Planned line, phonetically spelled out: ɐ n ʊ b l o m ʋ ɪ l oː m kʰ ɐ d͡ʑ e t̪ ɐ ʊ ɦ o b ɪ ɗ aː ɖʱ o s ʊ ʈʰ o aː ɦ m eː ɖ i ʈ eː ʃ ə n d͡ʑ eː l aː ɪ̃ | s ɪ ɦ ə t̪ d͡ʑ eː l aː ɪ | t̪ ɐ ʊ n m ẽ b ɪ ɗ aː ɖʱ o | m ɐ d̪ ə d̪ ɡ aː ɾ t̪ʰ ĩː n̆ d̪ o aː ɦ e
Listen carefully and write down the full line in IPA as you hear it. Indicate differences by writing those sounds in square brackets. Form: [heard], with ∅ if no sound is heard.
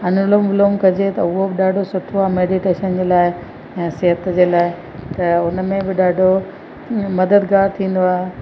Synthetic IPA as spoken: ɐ n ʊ [∅] l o m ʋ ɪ l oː m [k] ɐ d͡ʑ e t̪ ɐ ʊ ɦ o b ɪ ɗ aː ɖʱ o s ʊ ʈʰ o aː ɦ m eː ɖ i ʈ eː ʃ ə n d͡ʑ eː l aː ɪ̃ | s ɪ ɦ ə t̪ d͡ʑ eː l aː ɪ | t̪ ɐ ʊ n m ẽ b ɪ ɗ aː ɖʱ o | m ɐ d̪ ə d̪ ɡ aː ɾ t̪ʰ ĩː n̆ d̪ o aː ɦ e